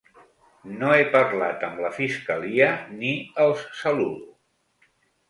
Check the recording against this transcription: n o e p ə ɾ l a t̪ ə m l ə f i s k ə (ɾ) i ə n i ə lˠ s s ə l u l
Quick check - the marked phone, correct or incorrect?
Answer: incorrect